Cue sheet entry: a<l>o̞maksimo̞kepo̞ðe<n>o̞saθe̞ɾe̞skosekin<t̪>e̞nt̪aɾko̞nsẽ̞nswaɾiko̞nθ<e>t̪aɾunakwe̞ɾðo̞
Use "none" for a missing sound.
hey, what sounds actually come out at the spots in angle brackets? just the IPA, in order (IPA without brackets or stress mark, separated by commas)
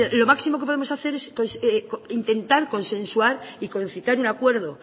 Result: l, m, t̪, i